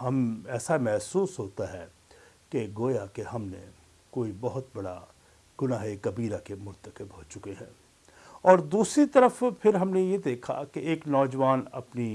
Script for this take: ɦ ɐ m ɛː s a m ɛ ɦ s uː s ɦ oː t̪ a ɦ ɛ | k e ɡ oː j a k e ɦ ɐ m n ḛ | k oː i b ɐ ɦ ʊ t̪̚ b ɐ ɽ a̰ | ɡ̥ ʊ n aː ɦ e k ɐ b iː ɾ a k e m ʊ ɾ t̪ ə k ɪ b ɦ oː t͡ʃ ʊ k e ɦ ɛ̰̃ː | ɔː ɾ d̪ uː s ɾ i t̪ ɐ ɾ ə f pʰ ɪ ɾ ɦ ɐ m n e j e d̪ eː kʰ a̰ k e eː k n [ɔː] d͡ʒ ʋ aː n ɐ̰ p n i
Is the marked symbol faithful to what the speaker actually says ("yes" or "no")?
yes